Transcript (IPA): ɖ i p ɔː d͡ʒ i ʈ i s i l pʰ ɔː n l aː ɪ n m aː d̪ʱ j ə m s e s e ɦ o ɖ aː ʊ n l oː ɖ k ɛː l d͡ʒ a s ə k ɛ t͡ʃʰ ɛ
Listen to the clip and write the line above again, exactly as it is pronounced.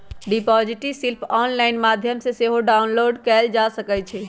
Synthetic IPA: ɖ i p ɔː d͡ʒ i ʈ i s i l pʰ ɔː n l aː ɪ n m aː d̪ʱ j ə m s e s e ɦ o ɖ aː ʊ n l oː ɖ k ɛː l d͡ʒ a s ə k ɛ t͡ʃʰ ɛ